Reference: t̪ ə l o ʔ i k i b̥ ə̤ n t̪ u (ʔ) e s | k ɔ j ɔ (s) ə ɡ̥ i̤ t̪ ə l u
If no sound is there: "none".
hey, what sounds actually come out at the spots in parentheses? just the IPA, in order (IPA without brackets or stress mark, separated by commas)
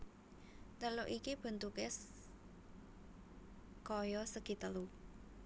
k, s